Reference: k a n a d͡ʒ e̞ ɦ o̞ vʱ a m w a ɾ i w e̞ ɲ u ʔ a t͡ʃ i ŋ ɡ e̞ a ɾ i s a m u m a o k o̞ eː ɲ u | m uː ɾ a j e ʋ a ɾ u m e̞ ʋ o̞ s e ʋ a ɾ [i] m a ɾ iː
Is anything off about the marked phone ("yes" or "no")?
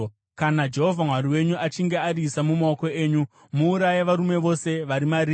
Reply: no